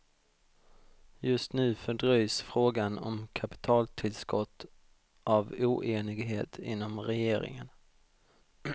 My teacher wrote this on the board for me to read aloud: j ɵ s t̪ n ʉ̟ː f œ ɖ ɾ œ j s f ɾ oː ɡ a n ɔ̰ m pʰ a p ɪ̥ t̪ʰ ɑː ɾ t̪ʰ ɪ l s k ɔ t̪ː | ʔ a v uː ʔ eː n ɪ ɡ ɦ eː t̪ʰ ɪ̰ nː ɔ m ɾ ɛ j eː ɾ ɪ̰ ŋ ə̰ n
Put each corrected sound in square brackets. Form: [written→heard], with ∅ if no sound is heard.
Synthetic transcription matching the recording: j ɵ s t̪ n ʉ̟ː f œ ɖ ɾ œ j s f ɾ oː ɡ a n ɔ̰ m [pʰ→kʰ] a p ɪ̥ t̪ʰ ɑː [ɾ→l] t̪ʰ ɪ l s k ɔ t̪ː | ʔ a v uː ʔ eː n ɪ ɡ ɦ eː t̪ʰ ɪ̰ nː ɔ m ɾ ɛ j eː ɾ ɪ̰ ŋ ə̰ n

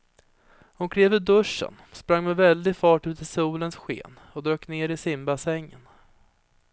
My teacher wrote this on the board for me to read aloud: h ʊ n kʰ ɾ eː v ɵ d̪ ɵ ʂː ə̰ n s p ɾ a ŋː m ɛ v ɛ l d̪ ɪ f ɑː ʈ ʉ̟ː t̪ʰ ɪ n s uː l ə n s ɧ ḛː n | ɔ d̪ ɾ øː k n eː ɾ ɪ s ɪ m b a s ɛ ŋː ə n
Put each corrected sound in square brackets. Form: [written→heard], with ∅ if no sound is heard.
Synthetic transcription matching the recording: h ʊ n kʰ ɾ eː v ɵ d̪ ɵ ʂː ə̰ n s p ɾ a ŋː m ɛ v ɛ l d̪ ɪ f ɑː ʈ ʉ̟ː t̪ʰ ɪ [n→∅] s uː l ə n s ɧ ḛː n | ɔ d̪ ɾ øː k n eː ɾ ɪ s ɪ m b a s ɛ ŋː ə n

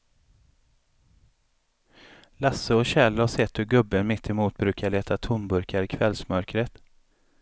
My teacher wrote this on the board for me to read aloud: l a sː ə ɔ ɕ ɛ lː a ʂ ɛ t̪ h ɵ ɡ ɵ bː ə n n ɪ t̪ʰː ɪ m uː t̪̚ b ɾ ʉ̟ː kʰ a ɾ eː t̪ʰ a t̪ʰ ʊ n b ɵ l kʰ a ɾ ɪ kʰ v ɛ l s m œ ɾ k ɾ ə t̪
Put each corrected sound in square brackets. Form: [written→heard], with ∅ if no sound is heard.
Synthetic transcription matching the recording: l a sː ə ɔ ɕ ɛ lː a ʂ ɛ t̪ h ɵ ɡ ɵ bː ə n [n→m] ɪ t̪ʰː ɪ m uː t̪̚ b ɾ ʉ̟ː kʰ a [ɾ→ɭ] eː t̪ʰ a t̪ʰ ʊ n b ɵ [l→ɾ] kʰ a ɾ ɪ kʰ v ɛ l s m œ ɾ k ɾ ə t̪

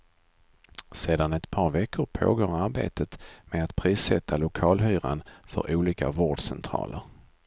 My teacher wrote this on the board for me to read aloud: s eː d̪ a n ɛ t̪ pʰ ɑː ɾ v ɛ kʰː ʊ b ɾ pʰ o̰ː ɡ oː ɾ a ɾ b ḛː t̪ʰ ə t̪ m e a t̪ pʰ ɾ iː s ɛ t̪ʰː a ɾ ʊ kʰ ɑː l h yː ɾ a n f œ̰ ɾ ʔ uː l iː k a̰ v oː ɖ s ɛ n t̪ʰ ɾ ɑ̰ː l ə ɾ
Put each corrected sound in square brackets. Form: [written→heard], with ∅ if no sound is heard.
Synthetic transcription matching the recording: s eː d̪ a n ɛ t̪ pʰ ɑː ɾ v ɛ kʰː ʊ [b→∅] ɾ pʰ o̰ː ɡ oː ɾ a ɾ b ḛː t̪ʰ ə t̪ m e a t̪ pʰ ɾ iː s ɛ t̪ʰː a [ɾ→l] ʊ kʰ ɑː l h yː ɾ a n f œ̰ ɾ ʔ uː l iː k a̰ v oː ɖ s ɛ n t̪ʰ ɾ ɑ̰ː l ə ɾ

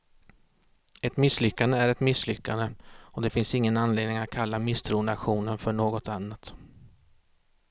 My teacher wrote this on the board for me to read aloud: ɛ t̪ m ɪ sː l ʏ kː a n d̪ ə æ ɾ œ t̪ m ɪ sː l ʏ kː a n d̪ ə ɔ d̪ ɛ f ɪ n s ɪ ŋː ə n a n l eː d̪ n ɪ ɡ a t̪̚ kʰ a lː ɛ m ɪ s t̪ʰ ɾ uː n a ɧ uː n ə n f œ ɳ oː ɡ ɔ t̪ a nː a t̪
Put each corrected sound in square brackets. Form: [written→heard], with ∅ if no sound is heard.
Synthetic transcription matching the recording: ɛ t̪ m ɪ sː l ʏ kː a n d̪ ə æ ɾ [œ→ɛ] t̪ m ɪ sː l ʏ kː a n d̪ ə ɔ d̪ ɛ f ɪ n s ɪ ŋː ə n a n l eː d̪ n ɪ [ɡ→ŋ] a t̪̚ kʰ a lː [ɛ→a] m ɪ s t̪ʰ ɾ uː n a ɧ uː n ə n f œ ɳ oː ɡ ɔ t̪ a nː a t̪

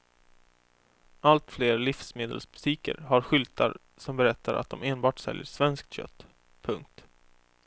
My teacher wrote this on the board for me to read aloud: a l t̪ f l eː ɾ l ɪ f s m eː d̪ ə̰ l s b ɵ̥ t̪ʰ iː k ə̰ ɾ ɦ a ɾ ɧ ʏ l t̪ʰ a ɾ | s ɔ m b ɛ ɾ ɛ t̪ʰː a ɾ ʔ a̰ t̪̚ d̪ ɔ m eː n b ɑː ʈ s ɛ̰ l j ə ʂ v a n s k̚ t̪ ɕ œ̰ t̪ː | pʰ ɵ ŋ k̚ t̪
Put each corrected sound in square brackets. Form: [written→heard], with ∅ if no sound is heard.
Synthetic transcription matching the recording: a l t̪ f l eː ɾ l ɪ f s m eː d̪ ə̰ l s b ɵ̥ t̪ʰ iː k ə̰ ɾ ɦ a ɾ ɧ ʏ l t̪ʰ a ɾ | s ɔ m b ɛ ɾ ɛ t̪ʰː a ɾ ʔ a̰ t̪̚ d̪ ɔ m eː n b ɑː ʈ s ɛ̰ l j ə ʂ v [a→ɛ] n s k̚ t̪ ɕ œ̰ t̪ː | pʰ ɵ ŋ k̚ t̪

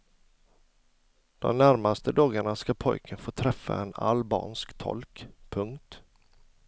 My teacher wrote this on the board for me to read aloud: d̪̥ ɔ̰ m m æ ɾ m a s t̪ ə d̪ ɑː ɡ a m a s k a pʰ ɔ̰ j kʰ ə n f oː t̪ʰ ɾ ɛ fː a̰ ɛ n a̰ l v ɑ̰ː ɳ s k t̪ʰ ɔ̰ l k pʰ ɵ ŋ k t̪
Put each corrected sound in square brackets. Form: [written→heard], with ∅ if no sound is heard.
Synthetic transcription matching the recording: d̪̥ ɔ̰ m [m→n] æ ɾ m a s t̪ ə d̪ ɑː ɡ a [m→ɳ] a s k a pʰ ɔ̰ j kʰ ə n f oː t̪ʰ ɾ ɛ fː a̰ ɛ n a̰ l [v→b] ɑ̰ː [ɳ→n] s k t̪ʰ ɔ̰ l k pʰ ɵ ŋ k t̪

